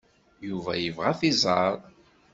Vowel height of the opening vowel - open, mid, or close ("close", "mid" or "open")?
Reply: close